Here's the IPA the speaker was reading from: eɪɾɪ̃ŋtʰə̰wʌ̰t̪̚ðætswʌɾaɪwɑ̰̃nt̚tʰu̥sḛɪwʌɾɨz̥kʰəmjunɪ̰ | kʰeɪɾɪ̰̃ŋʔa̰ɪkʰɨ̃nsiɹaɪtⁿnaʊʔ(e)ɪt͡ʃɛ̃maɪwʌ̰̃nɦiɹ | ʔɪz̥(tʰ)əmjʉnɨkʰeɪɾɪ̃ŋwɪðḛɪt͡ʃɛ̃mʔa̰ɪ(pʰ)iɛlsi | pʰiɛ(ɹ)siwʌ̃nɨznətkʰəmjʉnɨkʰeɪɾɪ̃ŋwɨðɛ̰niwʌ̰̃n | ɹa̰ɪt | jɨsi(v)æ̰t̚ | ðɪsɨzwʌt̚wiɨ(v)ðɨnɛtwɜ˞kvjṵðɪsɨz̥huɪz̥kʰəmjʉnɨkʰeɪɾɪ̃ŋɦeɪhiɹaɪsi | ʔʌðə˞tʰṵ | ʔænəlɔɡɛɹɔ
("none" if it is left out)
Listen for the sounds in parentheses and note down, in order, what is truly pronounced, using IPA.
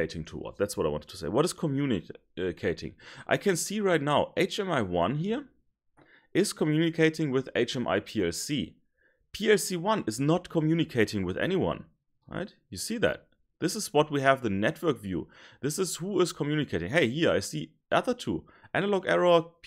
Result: e, kʰ, pʰ, l, ð, v

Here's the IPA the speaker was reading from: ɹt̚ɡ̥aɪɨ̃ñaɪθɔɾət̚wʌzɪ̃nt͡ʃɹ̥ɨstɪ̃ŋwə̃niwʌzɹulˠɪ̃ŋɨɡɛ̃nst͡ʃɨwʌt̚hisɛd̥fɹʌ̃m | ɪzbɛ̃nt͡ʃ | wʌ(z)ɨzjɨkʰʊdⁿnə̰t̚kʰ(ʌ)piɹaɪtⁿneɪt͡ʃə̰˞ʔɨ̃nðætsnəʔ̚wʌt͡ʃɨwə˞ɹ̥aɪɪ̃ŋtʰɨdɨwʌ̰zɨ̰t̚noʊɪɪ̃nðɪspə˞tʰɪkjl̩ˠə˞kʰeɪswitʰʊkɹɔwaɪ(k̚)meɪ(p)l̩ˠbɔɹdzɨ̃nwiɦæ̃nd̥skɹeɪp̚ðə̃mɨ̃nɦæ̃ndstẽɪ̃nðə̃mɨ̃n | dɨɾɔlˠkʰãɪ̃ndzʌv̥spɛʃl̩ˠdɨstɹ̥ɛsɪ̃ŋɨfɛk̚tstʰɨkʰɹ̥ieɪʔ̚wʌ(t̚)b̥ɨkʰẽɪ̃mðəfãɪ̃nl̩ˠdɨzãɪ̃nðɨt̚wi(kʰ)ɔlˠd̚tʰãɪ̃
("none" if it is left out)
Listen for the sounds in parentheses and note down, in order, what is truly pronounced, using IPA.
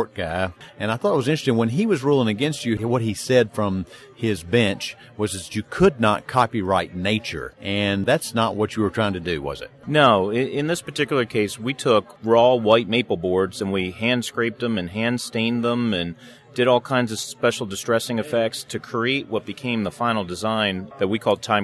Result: z, ɑ, t̚, p, t̚, kʰ

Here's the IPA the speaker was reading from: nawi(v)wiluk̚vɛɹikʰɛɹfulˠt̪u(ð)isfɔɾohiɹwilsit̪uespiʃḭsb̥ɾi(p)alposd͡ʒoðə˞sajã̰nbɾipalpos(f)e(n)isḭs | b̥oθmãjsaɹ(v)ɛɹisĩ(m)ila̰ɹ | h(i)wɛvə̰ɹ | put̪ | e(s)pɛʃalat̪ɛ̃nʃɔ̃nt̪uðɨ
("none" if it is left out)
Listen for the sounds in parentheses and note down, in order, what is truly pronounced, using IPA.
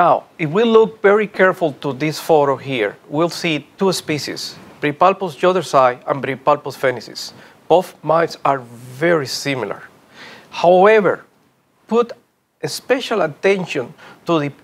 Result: f, ð, p, f, n, v, m, a, s

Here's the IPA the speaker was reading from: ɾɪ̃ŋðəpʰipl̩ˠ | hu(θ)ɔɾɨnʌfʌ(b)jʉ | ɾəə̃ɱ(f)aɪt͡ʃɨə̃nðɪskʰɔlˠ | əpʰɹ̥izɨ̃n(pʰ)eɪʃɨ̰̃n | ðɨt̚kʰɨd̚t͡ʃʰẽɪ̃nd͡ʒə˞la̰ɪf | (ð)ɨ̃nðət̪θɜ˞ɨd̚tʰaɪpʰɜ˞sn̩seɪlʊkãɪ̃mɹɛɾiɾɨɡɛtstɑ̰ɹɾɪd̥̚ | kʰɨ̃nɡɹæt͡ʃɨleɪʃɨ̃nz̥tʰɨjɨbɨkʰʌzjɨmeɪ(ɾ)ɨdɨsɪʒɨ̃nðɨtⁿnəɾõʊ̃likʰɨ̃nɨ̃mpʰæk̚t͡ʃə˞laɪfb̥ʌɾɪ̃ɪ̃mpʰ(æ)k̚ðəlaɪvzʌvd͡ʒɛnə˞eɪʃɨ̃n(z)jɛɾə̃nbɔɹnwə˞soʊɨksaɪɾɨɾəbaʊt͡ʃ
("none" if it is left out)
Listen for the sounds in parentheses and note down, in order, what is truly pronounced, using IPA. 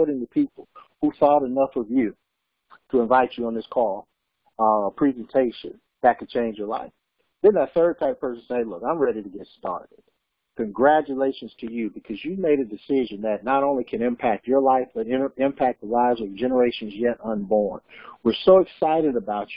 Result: θ, v, v, tʰ, ð, ɾ, æ, z

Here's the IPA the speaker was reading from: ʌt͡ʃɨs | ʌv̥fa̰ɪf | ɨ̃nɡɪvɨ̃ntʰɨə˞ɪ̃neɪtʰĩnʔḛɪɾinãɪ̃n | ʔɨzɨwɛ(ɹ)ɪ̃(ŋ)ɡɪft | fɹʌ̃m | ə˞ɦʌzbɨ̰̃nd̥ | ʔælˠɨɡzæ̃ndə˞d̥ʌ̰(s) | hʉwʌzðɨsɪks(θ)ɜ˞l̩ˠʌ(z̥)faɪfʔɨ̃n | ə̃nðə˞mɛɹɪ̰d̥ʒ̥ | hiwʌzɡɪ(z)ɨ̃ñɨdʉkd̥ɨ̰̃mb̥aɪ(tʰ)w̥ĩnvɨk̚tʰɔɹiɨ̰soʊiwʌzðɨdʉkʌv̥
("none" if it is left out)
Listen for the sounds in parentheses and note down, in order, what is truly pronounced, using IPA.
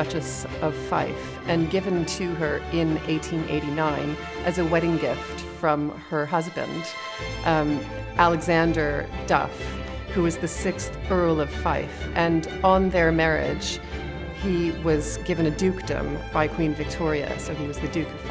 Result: ɾ, ŋ, f, θ, v̥, v, kʰ

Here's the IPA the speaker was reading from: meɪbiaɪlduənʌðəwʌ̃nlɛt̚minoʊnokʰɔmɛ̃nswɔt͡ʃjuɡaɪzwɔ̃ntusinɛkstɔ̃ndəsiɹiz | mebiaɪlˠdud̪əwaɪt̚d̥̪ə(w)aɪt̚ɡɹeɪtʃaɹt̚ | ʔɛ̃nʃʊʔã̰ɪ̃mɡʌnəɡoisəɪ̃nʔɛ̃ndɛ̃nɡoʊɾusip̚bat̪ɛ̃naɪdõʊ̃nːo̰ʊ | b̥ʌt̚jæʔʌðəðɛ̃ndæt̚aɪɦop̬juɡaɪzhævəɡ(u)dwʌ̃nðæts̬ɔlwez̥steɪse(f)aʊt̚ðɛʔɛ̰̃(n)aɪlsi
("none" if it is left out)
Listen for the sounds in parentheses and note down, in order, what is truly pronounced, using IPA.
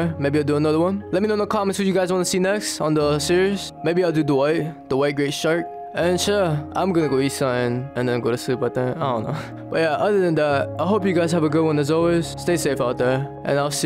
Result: w, ʊ, f, n

